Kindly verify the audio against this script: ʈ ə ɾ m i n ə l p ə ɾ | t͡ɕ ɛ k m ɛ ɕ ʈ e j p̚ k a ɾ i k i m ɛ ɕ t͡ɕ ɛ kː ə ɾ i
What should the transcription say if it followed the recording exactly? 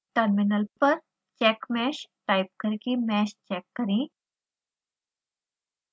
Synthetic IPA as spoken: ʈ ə ɾ m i n ə l p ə ɾ | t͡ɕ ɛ k m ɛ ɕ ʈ a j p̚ k ə ɾ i k i m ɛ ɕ t͡ɕ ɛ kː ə ɾ i